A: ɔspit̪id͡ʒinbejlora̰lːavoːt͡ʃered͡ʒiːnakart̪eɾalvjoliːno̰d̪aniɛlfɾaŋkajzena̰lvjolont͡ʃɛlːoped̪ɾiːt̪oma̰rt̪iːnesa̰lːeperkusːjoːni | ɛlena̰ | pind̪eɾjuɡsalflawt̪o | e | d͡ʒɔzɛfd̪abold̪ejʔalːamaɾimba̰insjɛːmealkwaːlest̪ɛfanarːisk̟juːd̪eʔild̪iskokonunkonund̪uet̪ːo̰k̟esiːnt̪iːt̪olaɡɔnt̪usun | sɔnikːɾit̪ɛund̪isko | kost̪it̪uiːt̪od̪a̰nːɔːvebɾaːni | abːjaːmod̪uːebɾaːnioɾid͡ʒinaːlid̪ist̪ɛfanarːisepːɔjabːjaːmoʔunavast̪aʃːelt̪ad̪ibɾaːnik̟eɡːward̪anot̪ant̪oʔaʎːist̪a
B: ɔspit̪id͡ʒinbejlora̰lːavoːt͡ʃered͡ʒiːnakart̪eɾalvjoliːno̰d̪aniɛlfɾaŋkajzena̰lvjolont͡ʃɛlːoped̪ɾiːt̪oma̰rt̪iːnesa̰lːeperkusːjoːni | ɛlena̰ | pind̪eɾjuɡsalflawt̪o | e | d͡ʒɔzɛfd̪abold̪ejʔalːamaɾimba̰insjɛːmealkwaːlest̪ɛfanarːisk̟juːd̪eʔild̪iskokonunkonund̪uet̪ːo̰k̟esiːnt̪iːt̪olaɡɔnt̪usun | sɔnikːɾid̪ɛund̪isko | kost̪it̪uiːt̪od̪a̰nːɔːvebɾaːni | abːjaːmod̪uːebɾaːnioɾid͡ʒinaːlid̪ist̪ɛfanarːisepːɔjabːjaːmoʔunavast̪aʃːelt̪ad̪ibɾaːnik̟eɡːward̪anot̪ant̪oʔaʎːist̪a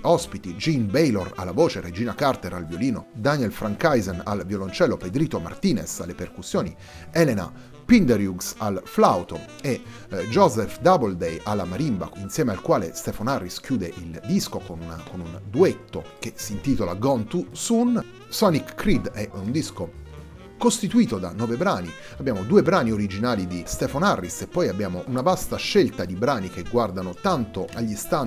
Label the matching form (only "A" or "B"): B